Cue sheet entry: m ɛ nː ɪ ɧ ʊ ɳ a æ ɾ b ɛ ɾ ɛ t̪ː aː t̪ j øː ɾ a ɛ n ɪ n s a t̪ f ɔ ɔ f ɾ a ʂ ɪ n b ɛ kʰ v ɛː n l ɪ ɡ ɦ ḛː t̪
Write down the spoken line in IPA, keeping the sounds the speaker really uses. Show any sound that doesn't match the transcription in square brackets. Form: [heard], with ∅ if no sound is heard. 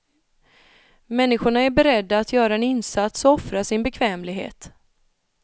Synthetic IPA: m ɛ nː ɪ ɧ ʊ ɳ a æ ɾ b ɛ ɾ ɛ [d̪ː] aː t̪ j [œː] ɾ a ɛ n ɪ n s a t̪ [s] ɔ ɔ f ɾ a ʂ ɪ n b ɛ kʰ v ɛː [m] l ɪ ɡ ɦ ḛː t̪